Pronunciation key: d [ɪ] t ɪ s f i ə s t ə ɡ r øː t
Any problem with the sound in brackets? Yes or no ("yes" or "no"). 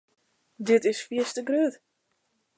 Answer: no